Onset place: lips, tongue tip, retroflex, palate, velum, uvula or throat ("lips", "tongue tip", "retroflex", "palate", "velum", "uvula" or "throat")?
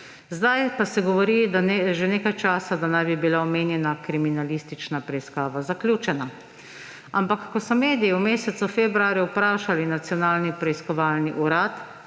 tongue tip